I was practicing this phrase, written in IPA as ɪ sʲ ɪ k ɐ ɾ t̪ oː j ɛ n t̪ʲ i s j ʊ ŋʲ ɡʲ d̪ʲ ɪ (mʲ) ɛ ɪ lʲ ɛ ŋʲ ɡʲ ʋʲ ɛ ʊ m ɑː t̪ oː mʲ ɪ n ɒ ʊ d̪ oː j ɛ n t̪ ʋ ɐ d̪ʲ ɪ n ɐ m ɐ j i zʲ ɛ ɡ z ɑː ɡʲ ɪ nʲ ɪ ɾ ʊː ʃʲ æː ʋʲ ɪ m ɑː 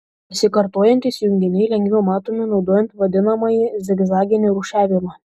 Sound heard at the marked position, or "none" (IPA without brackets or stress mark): nʲ